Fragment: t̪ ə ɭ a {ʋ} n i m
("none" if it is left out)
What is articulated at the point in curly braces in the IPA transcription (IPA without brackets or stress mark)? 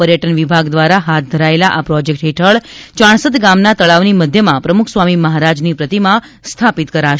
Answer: ʋ